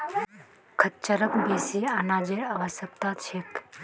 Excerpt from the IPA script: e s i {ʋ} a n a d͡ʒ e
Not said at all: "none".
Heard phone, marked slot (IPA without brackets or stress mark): none